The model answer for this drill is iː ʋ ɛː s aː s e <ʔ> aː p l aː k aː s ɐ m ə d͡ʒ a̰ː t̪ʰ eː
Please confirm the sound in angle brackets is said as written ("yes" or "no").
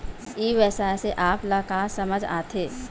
yes